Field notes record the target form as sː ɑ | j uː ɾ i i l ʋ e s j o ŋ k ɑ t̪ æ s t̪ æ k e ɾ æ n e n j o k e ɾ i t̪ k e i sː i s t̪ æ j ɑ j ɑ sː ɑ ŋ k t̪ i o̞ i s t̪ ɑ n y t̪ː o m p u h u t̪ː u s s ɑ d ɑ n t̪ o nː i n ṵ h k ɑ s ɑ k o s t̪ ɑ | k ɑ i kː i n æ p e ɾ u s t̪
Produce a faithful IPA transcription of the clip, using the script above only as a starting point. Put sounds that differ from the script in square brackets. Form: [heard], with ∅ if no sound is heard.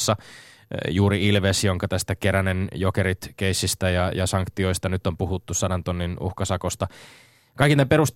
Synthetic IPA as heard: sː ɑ | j uː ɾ i i l ʋ e s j o ŋ k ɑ t̪ æ s t̪ æ k e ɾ æ n e n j o k e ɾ i t̪ k e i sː i s t̪ æ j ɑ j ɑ [s] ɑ ŋ k t̪ i o̞ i s t̪ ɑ n y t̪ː o m p u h u t̪ː u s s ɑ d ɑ n t̪ o nː i n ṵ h k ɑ s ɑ k o s t̪ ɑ | k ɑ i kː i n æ p e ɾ u s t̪